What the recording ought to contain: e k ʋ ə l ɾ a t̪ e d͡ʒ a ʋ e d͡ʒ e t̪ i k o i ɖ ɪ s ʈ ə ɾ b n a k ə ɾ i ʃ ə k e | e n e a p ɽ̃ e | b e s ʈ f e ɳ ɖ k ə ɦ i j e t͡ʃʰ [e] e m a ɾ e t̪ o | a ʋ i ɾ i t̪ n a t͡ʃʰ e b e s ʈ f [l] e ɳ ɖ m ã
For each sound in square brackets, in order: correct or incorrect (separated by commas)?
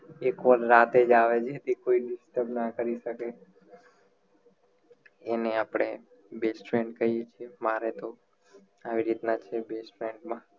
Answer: incorrect, incorrect